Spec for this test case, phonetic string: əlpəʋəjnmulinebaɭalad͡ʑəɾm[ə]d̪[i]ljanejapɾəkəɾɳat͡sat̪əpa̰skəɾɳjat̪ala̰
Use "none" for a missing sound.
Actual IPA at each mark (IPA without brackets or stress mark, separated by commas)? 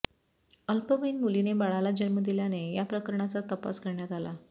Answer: ə, i